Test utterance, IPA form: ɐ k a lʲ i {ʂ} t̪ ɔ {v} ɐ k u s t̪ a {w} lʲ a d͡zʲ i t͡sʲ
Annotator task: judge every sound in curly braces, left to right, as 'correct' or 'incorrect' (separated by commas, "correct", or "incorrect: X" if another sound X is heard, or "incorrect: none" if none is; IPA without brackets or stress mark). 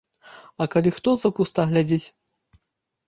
incorrect: x, incorrect: z, incorrect: ɣ